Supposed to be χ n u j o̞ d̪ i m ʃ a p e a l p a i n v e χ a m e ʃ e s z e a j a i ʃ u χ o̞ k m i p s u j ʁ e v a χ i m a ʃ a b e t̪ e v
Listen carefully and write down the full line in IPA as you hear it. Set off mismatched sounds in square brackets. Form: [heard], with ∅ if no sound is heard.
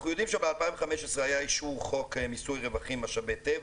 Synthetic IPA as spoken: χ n u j o̞ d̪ i m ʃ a [b] e a l p a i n v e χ a m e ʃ e s [ʁ] e a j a i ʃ u χ o̞ k m i [∅] s u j ʁ e v a χ i m a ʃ a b e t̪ e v